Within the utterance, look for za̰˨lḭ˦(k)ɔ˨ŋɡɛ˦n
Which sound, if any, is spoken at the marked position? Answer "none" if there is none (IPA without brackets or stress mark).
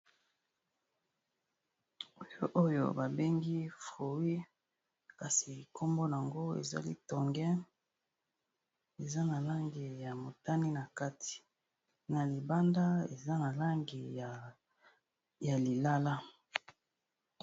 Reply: t